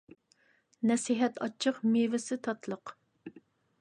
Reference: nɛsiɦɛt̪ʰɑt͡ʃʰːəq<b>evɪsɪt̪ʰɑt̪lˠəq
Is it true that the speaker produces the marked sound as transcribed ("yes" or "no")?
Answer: no